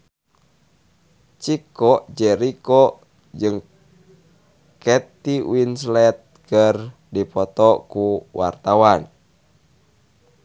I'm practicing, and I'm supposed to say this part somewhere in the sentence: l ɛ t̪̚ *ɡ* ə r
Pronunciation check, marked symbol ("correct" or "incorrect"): incorrect